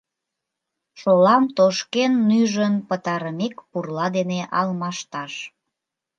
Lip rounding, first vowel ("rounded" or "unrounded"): rounded